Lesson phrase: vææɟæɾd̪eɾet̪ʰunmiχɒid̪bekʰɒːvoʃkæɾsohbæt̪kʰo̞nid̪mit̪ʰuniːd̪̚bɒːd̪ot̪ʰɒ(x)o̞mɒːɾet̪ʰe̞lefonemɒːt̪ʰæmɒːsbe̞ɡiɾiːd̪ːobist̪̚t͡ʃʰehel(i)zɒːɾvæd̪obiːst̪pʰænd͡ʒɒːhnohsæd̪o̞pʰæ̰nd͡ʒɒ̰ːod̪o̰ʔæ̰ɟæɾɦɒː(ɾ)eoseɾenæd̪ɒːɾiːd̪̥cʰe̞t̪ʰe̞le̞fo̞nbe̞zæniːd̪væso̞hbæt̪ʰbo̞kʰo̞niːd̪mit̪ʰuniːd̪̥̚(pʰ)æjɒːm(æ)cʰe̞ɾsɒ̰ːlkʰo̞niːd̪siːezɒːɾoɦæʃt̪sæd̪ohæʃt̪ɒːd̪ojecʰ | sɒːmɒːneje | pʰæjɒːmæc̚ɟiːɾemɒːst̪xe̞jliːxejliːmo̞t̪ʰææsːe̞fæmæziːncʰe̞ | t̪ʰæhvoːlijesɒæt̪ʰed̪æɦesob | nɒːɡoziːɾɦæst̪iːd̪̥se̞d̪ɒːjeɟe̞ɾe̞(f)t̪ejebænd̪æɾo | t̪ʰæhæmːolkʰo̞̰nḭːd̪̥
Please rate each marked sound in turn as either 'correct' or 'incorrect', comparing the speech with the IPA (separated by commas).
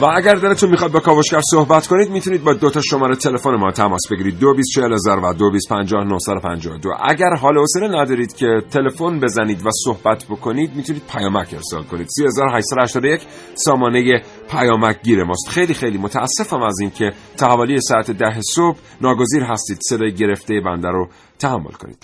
incorrect, incorrect, incorrect, correct, correct, correct